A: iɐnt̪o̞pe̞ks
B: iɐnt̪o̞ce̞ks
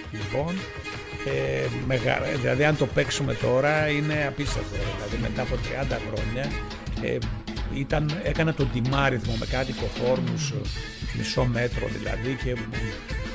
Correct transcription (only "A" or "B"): A